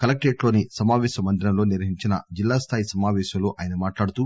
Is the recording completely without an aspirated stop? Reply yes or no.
no